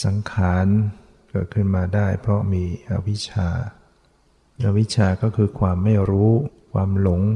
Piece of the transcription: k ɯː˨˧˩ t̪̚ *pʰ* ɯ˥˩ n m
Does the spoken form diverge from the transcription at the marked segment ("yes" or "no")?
yes